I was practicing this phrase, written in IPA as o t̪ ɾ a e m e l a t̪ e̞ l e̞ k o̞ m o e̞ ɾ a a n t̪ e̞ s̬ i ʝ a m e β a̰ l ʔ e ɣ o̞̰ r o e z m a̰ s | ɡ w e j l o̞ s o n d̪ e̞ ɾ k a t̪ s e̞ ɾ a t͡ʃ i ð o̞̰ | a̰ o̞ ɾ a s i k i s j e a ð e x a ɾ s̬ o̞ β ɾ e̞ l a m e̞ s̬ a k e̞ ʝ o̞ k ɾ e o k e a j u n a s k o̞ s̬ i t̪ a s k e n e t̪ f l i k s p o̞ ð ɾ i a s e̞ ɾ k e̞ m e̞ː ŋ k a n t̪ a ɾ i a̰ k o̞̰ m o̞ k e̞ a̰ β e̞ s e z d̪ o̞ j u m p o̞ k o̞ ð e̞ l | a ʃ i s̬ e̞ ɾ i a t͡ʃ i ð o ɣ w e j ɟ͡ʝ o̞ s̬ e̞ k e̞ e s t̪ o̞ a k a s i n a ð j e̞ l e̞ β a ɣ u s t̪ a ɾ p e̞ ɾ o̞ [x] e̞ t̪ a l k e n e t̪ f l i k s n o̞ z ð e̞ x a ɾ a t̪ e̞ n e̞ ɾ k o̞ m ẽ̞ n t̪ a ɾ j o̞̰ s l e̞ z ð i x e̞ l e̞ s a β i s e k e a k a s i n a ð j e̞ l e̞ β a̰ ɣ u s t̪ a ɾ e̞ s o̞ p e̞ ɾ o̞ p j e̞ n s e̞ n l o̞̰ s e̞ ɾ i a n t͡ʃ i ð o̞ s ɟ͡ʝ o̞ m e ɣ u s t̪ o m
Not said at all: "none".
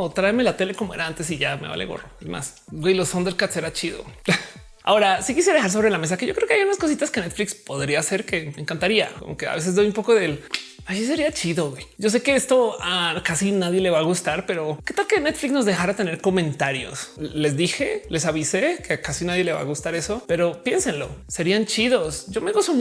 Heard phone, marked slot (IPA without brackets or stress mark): k